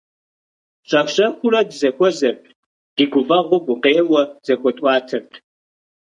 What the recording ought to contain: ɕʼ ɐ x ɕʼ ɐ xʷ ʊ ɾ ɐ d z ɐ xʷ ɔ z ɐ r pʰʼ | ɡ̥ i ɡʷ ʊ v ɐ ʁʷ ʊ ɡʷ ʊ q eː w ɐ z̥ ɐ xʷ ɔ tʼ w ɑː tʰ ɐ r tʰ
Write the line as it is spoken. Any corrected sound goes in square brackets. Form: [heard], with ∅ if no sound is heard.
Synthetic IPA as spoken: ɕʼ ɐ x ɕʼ ɐ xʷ ʊ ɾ ɐ d z ɐ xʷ ɔ z ɐ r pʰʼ | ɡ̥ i ɡʷ ʊ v ɐ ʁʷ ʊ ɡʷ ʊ q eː w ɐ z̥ ɐ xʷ ɔ tʼ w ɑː tʰ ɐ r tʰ